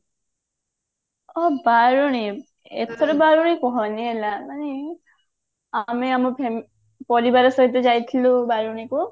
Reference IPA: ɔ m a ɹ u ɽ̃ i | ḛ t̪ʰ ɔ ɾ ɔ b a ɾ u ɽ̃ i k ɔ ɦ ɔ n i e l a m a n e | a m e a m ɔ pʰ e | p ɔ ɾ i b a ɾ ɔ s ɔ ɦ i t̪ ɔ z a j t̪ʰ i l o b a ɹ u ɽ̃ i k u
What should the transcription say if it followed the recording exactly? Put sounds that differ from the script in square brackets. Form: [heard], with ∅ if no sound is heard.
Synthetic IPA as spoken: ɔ [b] a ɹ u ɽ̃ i | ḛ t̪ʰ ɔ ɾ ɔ b a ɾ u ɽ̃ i k ɔ ɦ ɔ n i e l a m a n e | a m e a m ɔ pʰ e | p ɔ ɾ i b a ɾ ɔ s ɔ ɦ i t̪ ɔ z a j t̪ʰ i l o b a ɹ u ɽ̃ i k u